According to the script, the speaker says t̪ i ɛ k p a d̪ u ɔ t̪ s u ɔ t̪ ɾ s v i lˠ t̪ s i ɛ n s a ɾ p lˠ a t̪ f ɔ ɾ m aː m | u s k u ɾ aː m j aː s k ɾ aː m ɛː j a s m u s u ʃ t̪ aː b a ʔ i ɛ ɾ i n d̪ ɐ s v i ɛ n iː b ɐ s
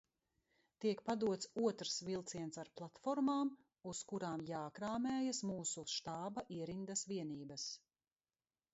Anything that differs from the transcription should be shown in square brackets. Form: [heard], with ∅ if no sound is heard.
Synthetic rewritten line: t̪ i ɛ k p a d̪ u ɔ t̪ s u ɔ t̪ ɾ s v i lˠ t̪ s i ɛ n s a ɾ p lˠ a t̪ f ɔ ɾ m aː m | u s k u ɾ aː m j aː [∅] k ɾ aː m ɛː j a s m [uː] s u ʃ t̪ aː b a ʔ i ɛ ɾ i n d̪ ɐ s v i ɛ n iː b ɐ s